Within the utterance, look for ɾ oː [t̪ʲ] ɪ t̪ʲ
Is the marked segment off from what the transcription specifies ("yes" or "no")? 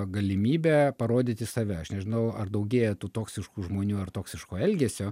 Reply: yes